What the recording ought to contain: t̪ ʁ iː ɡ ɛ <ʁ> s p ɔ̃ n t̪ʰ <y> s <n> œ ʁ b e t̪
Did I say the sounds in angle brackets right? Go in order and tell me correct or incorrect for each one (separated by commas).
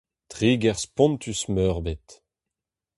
correct, correct, incorrect